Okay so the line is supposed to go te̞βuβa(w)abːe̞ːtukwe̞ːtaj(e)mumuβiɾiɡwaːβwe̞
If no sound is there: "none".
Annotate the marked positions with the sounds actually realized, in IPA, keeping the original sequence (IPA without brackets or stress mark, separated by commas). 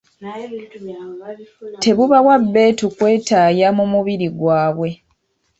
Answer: w, a